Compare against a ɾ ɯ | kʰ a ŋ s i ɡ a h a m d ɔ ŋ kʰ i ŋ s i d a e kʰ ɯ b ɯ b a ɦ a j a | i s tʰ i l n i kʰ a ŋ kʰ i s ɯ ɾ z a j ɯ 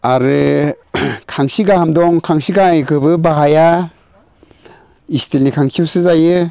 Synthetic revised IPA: a ɾ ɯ | kʰ a ŋ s i ɡ a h a m d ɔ ŋ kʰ a ŋ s i ɡ a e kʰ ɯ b ɯ b a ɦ a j a | i s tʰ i l n i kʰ a ŋ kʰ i s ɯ z a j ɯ